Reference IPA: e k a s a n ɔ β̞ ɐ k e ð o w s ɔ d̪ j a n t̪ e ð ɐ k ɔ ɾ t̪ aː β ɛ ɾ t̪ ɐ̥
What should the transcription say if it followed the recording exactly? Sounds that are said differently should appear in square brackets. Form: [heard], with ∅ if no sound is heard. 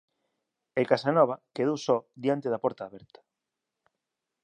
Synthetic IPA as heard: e k a s a n ɔ β̞ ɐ k e ð o w s ɔ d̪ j a n t̪ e ð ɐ [p] ɔ ɾ t̪ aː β ɛ ɾ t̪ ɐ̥